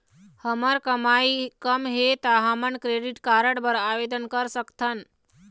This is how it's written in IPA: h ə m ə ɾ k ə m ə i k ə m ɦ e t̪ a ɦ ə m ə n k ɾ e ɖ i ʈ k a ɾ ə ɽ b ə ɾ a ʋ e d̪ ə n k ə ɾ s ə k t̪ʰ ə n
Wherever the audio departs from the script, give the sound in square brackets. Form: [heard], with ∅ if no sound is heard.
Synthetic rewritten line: h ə m ə ɾ k ə m [a] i k ə m ɦ e t̪ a ɦ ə m ə n k ɾ e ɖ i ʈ k a ɾ ə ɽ b ə ɾ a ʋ e d̪ ə n k ə ɾ s ə k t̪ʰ ə n